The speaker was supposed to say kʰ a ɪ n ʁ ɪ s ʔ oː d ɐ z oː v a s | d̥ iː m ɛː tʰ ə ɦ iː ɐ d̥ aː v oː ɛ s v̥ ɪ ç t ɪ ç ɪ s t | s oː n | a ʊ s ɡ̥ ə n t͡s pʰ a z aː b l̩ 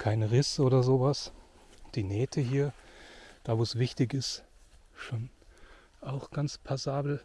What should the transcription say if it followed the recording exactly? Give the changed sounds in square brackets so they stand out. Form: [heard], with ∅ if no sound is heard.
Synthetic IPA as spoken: kʰ a ɪ n ʁ ɪ s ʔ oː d ɐ z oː v a s | d̥ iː [n] ɛː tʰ ə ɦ iː ɐ d̥ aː v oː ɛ s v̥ ɪ ç t ɪ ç ɪ s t | [ʃ] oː n | a ʊ [x] ɡ̥ [a] n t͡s pʰ a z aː b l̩

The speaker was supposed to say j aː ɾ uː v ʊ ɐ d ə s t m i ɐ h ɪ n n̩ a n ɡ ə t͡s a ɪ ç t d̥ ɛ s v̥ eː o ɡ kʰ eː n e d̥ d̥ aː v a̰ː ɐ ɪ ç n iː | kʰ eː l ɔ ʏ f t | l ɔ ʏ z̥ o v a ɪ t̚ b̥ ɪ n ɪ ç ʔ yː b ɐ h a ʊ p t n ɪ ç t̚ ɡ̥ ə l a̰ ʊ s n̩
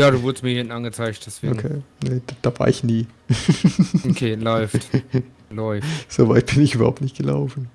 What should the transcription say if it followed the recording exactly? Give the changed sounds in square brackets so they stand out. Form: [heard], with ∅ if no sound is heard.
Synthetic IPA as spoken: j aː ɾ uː v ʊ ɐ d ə s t m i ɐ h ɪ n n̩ a n ɡ ə t͡s a ɪ ç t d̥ ɛ s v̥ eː o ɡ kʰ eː n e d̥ d̥ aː v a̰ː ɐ ɪ ç n iː | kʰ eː l ɔ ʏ f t | l ɔ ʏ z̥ o v a ɪ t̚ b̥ ɪ n ɪ ç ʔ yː b ɐ h a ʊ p t n ɪ ç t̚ ɡ̥ ə l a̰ ʊ [f] n̩

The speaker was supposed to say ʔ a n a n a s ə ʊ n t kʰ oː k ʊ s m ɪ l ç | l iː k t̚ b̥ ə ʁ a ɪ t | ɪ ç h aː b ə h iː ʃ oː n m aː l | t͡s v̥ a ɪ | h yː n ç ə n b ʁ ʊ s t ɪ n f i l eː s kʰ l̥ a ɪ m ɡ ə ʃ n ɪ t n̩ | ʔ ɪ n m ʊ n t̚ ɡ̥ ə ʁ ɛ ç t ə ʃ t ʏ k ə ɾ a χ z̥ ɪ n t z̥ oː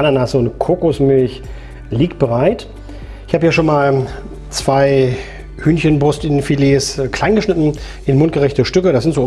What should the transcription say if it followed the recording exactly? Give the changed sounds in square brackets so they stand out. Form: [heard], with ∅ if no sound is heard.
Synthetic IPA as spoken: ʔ a n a n a s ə ʊ n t kʰ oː k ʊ s m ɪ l ç | l iː k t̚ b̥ ə ʁ a ɪ t | ɪ ç h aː b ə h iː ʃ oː n m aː l | t͡s v̥ a ɪ | h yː n ç ə n b ʁ ʊ s t ɪ n f i l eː s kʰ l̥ a ɪ [n] ɡ ə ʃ n ɪ t n̩ | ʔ ɪ n m ʊ n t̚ ɡ̥ ə ʁ ɛ ç t ə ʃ t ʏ k ə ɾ a [s] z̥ ɪ n t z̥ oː

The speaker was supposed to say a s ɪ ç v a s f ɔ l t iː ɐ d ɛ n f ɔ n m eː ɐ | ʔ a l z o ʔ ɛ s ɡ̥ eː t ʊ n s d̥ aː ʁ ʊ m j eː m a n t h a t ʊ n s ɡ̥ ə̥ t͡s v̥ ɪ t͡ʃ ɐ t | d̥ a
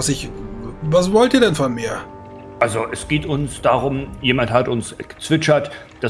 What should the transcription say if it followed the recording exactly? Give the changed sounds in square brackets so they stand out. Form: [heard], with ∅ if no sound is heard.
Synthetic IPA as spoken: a s ɪ ç v a s [v] ɔ l t iː ɐ d ɛ n f ɔ n m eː ɐ | ʔ a l z o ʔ ɛ s ɡ̥ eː t ʊ n s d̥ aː ʁ ʊ m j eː m a n t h a t ʊ n s ɡ̥ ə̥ t͡s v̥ ɪ t͡ʃ ɐ t | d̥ a

